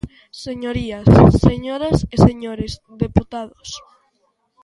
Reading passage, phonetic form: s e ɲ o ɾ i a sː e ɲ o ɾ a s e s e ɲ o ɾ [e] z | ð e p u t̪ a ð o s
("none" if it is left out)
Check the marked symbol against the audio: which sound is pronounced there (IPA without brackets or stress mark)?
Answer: e